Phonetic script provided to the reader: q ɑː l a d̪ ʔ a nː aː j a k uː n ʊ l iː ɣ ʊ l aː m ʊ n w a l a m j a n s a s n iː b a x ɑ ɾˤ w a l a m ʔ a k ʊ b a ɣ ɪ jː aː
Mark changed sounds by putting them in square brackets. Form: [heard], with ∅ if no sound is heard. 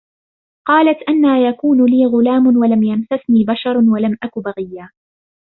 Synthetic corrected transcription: q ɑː l a [t̪] ʔ a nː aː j a k uː n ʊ l iː ɣ ʊ l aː m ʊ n w a l a m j a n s a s n iː b a [ʃ] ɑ ɾˤ w a l a m ʔ a k ʊ b a ɣ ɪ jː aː

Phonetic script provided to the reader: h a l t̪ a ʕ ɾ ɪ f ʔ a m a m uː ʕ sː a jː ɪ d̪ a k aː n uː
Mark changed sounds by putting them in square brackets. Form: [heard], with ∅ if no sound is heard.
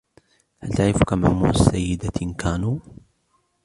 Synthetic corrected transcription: h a l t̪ a ʕ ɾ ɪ f [k] a m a m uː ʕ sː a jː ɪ d̪ a k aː n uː

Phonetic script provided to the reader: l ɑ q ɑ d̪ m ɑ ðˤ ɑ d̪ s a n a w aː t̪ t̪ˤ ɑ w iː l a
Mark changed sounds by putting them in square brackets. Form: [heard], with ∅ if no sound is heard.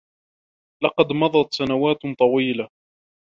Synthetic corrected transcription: l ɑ q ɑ d̪ m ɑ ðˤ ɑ [t̪] s a n a w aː t̪ t̪ˤ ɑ w iː l a

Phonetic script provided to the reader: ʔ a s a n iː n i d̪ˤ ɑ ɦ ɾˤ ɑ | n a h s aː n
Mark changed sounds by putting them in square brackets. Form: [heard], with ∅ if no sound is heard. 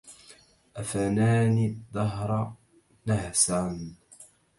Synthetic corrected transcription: ʔ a [f] a n [aː] n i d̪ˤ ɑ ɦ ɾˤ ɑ | n a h s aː n

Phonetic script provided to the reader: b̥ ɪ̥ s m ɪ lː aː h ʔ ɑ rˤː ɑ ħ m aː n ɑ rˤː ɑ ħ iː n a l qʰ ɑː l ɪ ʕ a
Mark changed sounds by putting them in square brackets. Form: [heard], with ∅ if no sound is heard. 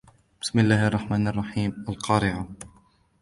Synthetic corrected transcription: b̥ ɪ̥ s m ɪ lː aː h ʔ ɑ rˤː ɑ ħ m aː n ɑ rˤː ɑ ħ iː [m] a l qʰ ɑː [ɾ] ɪ ʕ a

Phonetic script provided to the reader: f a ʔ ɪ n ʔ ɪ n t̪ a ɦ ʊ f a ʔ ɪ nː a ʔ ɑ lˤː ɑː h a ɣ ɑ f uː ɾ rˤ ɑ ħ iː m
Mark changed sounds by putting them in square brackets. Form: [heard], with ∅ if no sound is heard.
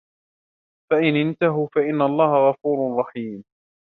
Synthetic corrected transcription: f a ʔ ɪ n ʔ ɪ n t̪ a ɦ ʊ f a ʔ ɪ nː a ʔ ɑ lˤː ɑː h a ɣ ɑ f uː ɾ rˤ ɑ ħ iː m

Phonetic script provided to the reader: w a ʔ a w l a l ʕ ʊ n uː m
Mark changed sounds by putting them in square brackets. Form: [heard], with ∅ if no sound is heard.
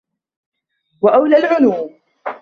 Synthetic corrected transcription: w a ʔ a w l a l ʕ ʊ n uː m

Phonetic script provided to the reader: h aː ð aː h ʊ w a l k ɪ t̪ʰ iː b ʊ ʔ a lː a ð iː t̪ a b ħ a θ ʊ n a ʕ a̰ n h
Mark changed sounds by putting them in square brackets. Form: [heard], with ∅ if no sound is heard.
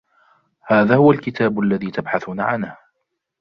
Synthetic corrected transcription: h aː ð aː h ʊ w a l k ɪ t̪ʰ [aː] b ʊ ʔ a lː a ð iː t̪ a b ħ a θ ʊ n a ʕ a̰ n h

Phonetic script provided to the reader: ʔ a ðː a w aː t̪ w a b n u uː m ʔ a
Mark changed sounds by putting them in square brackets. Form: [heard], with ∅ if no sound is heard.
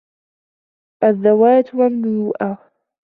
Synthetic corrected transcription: ʔ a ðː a w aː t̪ w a [m] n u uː [∅] ʔ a

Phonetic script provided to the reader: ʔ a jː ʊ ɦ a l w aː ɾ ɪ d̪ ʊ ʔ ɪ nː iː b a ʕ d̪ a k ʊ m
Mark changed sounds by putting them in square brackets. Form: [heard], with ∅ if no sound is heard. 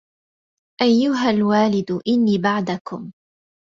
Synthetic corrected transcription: ʔ a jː ʊ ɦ a l w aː [l] ɪ d̪ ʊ ʔ ɪ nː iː b a ʕ d̪ a k ʊ m

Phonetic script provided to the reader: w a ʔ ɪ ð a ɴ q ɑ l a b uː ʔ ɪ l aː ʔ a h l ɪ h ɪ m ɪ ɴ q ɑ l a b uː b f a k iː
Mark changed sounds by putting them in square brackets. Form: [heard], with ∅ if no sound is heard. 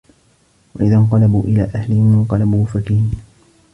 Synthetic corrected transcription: w a ʔ ɪ ð a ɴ q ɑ l a b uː ʔ ɪ l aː ʔ a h l ɪ h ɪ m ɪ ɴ q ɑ l a b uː [∅] f a k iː

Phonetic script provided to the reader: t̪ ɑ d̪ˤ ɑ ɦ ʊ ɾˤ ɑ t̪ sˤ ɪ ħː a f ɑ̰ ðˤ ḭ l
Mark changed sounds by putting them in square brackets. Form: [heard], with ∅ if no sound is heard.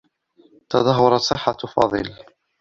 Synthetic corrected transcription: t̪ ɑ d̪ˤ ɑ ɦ ʊ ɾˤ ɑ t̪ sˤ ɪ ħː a f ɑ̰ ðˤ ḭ l

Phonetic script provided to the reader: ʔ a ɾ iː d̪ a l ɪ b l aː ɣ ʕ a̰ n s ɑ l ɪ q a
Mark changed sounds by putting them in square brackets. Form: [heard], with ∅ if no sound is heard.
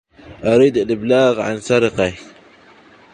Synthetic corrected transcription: ʔ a ɾ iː d̪ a l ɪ b l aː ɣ ʕ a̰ n s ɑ [ɾ] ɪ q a

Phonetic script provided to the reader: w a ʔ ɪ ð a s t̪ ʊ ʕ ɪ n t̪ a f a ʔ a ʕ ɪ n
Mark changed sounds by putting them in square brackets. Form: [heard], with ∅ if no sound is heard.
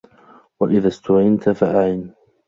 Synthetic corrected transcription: w a ʔ ɪ ð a s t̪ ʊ ʕ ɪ n t̪ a f a ʔ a ʕ ɪ n

